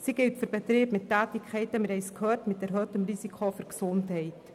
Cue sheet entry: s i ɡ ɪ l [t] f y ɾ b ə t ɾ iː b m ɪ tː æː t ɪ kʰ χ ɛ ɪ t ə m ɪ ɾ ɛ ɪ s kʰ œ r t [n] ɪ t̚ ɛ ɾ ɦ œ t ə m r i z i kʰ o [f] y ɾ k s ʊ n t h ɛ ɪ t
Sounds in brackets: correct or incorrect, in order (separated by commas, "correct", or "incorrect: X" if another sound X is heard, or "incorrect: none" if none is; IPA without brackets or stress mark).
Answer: correct, incorrect: m, correct